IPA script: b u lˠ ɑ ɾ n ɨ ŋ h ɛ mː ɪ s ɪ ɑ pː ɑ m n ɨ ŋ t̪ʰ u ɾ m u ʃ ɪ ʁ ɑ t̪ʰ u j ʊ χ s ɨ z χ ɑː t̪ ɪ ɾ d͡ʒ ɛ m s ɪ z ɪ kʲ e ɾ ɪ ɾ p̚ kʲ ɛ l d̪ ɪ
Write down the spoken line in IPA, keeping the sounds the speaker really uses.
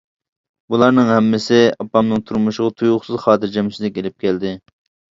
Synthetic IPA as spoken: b u lˠ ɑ ɾ n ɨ ŋ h ɛ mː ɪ s ɪ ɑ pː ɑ m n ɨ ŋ t̪ʰ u ɾ m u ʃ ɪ ʁ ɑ t̪ʰ u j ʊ χ s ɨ z χ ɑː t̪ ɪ ɾ d͡ʒ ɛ m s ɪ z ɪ kʲ e l ɪ p̚ kʲ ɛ l d̪ ɪ

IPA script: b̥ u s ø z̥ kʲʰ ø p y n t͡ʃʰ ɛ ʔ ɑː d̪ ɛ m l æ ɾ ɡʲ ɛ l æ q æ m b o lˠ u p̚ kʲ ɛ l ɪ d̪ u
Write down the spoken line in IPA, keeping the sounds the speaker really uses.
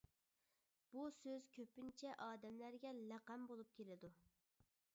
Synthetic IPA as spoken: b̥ u s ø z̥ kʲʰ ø p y n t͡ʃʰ ɛ ʔ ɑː d̪ ɛ m l æ ɾ ɡʲ ɛ l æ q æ m b o lˠ u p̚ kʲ e l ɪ d̪ u

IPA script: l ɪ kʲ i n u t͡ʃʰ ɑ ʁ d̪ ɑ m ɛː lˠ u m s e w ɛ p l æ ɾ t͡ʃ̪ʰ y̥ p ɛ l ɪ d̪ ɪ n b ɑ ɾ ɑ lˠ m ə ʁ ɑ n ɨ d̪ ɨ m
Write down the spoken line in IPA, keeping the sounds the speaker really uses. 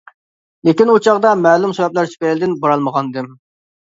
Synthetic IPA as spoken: l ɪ kʲ i n u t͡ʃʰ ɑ ʁ d̪ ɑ m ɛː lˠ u m s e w ɛ p l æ ɾ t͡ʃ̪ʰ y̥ p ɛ l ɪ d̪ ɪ n b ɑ ɾ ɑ lˠ m ə ʁ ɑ n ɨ d̪ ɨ m

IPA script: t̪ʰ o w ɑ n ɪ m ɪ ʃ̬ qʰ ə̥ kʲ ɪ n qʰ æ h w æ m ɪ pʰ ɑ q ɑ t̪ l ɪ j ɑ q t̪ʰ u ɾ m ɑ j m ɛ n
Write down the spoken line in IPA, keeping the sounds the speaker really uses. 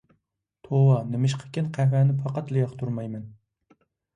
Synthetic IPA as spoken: t̪ʰ o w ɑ n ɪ m ɪ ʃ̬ qʰ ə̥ kʲ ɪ n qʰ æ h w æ n ɪ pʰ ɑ q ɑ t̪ l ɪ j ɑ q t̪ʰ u ɾ m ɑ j m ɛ n

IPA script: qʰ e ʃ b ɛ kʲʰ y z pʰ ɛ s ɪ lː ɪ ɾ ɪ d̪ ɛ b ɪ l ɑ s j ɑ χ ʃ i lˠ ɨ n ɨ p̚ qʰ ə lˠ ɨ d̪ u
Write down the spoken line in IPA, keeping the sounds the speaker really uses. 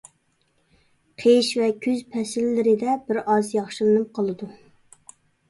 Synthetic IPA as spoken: qʰ e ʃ v ɛ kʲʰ y z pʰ ɛ s ɪ lː ɪ ɾ ɪ d̪ ɛ b ɪ ɾ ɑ z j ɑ χ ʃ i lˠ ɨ n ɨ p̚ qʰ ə lˠ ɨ d̪ u

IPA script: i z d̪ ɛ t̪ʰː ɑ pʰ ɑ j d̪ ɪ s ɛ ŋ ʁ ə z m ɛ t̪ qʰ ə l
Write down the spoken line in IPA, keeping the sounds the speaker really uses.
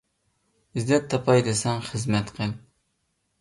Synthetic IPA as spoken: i z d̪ ɛ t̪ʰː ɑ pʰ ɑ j d̪ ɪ s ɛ ŋ χ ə z m ɛ t̪ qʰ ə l

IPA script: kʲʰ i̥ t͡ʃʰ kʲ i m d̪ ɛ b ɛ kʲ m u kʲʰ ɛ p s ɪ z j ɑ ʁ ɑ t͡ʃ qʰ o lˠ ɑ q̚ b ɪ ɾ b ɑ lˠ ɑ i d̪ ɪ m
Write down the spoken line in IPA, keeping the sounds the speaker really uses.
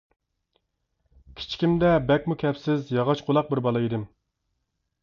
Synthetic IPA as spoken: kʲʰ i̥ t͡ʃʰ kʲ i m d̪ ɛ b ɛ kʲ m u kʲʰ ɛ p s ɪ z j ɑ ʁ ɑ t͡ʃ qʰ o lˠ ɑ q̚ b ɪ ɾ b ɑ lˠ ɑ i d̪ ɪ m

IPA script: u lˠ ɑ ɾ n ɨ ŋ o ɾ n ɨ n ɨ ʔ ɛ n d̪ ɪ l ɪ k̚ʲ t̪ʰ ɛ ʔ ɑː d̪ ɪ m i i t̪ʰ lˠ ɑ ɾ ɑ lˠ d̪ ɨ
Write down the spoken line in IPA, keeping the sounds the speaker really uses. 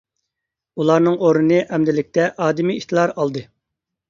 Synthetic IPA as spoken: u lˠ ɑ ɾ n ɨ ŋ o ɾ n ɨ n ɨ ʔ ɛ m d̪ ɪ l ɪ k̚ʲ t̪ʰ ɛ ʔ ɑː d̪ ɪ m i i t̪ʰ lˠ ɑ ɾ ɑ lˠ d̪ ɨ

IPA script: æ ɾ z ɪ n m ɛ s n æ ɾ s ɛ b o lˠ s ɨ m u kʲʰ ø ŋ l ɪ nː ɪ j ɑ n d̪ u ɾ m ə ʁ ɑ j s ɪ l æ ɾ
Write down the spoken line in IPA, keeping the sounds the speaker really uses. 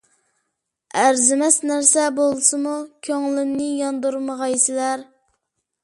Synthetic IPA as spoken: æ ɾ z ɪ m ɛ s n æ ɾ s ɛ b o lˠ s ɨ m u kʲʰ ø ŋ l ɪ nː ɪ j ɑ n d̪ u ɾ m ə ʁ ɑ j s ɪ l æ ɾ

